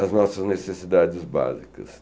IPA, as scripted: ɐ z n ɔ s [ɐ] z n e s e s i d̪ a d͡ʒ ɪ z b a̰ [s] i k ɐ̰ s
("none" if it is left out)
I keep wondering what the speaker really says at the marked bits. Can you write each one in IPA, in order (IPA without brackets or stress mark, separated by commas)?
ɐ, z